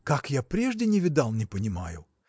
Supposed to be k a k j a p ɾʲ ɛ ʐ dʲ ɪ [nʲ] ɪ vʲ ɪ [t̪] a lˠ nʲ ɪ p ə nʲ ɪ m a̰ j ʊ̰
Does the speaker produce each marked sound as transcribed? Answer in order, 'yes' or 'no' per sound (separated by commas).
yes, no